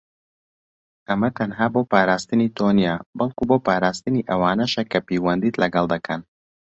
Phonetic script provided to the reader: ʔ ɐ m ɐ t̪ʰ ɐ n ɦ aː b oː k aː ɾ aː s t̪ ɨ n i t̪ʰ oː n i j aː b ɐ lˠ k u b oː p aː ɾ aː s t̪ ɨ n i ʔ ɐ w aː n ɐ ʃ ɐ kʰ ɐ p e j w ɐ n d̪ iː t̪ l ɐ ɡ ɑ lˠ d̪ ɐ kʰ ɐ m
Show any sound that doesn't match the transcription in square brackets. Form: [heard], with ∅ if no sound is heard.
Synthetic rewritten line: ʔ ɐ m ɐ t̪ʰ ɐ n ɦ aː b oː [p] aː ɾ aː s t̪ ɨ n i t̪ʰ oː n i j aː b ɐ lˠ k u b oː p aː ɾ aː s t̪ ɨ n i ʔ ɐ w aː n ɐ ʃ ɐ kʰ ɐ p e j w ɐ n d̪ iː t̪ l ɐ ɡ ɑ lˠ d̪ ɐ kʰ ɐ [n]